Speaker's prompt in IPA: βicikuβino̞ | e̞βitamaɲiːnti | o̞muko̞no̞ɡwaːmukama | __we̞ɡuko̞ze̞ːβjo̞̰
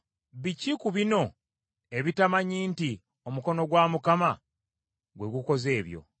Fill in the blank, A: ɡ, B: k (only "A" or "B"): A